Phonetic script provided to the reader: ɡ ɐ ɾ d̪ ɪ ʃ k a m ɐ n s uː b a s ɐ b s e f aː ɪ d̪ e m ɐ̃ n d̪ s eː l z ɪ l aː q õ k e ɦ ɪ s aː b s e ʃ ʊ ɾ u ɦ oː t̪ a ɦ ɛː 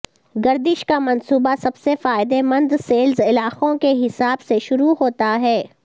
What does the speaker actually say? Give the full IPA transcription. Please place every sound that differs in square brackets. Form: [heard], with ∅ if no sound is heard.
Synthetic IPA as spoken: ɡ ɐ ɾ d̪ ɪ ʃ k a m ɐ n s uː b a s ɐ b s e f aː ɪ d̪ e m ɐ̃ n d̪ s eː l z ɪ l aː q õ k e ɦ ɪ s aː b s e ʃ ʊ ɾ u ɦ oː t̪ a ɦ ɛː